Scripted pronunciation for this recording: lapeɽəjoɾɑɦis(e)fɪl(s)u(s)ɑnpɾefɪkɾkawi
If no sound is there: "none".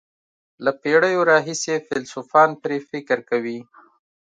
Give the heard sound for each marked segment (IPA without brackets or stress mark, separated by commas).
e, s, f